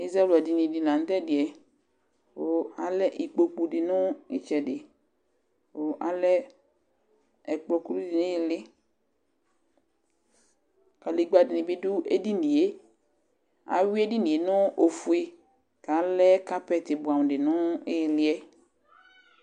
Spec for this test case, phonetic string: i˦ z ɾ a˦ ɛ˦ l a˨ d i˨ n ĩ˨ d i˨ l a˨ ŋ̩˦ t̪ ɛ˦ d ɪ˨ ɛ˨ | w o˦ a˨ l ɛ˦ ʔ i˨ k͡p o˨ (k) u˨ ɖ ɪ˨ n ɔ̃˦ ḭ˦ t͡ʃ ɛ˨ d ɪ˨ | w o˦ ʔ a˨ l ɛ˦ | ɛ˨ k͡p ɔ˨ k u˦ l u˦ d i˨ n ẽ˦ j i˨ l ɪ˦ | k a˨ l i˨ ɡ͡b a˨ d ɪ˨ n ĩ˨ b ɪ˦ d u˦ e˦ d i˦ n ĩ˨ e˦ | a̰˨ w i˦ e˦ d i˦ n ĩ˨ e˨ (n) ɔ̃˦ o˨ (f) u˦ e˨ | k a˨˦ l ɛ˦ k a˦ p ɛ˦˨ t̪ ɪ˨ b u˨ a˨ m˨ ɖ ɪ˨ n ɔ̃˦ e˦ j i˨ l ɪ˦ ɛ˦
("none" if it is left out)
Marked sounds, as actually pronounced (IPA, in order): k͡p, n, f

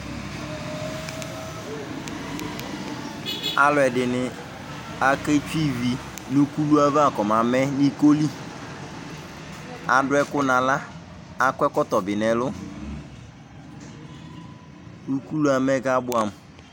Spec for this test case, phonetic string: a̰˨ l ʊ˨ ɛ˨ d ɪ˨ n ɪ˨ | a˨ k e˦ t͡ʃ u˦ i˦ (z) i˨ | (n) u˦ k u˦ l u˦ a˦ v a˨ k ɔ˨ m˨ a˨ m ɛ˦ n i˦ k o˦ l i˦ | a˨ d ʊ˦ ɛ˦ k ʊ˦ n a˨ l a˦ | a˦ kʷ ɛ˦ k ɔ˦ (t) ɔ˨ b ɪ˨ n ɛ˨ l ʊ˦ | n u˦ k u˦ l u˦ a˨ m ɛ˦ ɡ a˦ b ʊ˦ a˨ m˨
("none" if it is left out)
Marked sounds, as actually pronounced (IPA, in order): v, n, t

